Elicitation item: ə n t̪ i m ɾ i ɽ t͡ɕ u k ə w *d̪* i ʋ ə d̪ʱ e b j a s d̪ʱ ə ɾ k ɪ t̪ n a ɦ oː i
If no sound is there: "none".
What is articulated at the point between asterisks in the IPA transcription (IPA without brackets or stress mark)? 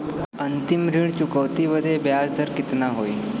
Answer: t̪